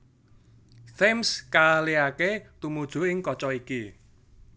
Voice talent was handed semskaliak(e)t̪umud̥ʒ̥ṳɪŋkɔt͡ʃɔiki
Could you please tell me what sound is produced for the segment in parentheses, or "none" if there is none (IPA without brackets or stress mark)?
e